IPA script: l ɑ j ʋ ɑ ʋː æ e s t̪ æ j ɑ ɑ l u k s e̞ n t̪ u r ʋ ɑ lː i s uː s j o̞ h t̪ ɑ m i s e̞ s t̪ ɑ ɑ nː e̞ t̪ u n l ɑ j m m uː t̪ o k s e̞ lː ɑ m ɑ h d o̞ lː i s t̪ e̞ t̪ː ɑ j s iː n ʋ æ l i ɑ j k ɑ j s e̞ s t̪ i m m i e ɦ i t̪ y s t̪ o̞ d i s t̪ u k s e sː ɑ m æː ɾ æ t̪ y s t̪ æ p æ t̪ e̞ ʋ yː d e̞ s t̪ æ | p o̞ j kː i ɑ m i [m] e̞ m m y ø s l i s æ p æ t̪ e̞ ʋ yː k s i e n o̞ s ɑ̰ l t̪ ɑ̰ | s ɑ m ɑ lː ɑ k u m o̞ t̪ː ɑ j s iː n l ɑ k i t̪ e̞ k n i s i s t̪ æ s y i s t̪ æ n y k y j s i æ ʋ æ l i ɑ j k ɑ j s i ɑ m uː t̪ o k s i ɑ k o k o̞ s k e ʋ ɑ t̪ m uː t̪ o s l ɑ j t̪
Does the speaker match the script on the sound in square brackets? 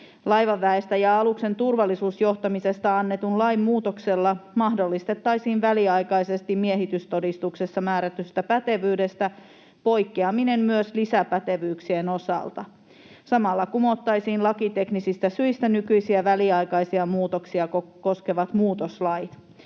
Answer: no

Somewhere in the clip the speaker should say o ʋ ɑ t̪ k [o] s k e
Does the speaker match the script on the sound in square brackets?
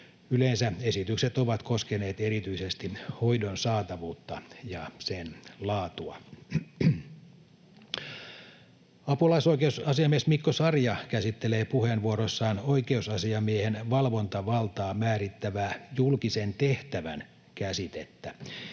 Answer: yes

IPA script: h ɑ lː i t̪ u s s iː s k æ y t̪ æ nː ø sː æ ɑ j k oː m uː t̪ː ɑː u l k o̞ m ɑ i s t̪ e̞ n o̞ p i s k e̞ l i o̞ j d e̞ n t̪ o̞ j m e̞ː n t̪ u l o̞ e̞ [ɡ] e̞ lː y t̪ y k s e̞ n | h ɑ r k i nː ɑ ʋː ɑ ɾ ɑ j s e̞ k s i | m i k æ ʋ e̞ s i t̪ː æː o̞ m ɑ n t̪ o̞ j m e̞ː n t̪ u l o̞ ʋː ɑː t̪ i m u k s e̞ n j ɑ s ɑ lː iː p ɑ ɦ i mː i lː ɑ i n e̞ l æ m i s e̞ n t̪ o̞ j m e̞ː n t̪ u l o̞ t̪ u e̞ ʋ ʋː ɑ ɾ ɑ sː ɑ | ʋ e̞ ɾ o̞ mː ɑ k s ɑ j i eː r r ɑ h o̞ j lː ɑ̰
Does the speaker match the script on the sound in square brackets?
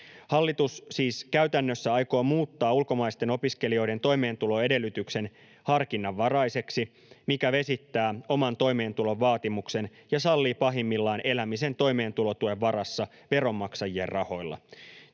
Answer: no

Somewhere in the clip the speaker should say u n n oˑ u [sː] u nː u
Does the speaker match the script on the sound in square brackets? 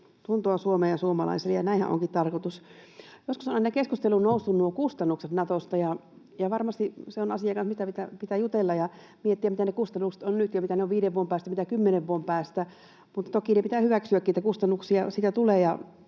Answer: yes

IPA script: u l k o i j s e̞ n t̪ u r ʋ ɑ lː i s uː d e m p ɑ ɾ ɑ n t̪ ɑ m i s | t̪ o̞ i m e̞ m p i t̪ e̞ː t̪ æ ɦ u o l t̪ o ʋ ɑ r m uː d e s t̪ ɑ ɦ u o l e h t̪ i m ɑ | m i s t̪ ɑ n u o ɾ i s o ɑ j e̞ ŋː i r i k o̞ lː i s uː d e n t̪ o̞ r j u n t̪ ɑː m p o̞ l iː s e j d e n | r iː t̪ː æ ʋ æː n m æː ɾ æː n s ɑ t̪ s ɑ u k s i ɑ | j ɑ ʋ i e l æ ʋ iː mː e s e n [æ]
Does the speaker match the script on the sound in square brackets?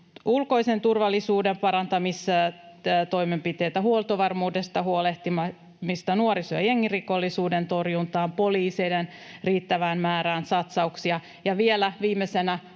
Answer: yes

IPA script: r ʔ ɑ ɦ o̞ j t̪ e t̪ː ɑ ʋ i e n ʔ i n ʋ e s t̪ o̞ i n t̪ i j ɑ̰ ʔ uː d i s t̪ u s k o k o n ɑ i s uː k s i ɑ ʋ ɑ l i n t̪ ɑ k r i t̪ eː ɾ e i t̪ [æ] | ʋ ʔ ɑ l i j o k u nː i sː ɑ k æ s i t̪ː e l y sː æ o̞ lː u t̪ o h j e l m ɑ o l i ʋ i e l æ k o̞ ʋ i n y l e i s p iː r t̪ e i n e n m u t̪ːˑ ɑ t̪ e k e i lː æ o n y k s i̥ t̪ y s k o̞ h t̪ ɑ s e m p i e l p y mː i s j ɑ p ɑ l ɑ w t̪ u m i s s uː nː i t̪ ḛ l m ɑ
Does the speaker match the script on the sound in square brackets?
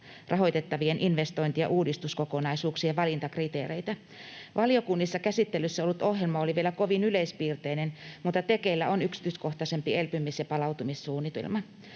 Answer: yes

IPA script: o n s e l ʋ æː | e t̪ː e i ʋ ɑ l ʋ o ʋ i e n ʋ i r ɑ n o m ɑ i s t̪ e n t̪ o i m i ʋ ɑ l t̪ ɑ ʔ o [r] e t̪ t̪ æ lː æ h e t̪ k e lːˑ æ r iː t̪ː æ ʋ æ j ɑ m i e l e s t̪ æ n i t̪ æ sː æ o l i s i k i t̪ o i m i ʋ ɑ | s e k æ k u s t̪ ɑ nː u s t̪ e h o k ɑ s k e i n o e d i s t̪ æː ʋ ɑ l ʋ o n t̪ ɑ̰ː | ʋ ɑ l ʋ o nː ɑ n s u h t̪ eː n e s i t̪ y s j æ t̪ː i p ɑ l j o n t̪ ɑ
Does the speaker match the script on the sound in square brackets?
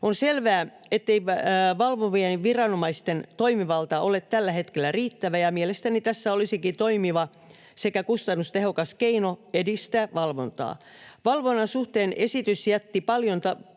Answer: no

